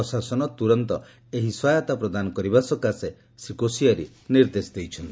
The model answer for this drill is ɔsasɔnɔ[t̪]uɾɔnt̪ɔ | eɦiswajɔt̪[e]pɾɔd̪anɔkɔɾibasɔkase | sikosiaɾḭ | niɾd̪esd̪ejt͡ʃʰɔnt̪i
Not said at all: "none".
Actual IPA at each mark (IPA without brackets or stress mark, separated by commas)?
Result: t̪, a